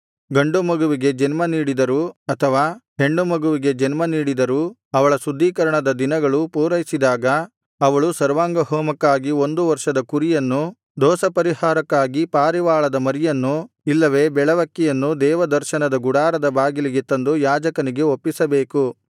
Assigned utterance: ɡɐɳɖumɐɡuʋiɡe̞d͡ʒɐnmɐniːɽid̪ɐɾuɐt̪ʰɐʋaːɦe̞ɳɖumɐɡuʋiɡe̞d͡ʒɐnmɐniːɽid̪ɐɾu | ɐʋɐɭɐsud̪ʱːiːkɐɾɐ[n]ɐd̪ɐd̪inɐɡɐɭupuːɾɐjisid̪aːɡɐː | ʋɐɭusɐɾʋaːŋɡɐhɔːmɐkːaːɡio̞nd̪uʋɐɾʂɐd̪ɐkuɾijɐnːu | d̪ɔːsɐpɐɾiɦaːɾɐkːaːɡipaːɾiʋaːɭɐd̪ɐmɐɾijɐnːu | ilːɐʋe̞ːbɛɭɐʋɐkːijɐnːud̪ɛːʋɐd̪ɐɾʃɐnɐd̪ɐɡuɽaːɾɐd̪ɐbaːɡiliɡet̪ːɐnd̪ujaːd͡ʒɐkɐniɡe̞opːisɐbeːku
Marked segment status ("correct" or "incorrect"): incorrect